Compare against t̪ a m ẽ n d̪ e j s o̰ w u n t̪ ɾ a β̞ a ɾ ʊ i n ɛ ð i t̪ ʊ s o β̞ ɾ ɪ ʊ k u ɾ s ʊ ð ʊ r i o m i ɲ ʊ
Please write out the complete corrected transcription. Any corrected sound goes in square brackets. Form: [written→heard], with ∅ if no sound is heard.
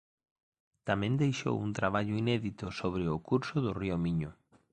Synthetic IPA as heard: t̪ a m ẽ n d̪ e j [s→ʃ] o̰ w u n t̪ ɾ a β̞ a [ɾ→ʎ] ʊ i n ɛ ð i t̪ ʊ s o β̞ ɾ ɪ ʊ k u ɾ s ʊ ð ʊ r i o m i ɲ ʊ